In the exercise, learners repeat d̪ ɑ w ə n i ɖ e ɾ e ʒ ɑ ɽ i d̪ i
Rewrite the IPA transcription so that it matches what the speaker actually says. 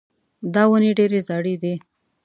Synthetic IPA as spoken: d̪ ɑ w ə n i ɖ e ɾ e z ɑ ɽ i d̪ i